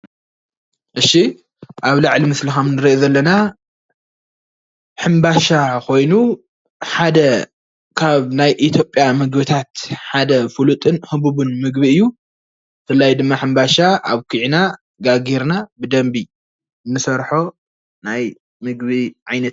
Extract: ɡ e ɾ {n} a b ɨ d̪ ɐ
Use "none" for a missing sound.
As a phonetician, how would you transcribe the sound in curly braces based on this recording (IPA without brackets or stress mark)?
n